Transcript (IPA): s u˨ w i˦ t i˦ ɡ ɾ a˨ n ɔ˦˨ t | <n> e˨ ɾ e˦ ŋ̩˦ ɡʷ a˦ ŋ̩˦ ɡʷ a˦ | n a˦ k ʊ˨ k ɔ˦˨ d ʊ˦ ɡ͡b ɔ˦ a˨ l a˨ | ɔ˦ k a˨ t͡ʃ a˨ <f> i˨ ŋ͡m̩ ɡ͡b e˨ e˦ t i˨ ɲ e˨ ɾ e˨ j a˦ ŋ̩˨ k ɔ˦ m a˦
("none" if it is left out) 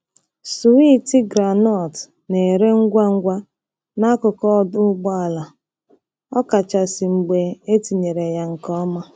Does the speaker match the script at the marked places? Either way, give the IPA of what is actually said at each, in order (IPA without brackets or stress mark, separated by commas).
n, s